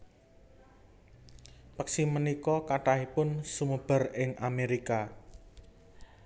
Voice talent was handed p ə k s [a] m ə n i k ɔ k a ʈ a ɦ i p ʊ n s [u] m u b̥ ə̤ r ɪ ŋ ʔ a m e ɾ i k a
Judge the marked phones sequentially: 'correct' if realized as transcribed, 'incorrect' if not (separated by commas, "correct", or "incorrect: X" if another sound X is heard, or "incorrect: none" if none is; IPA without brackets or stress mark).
incorrect: i, correct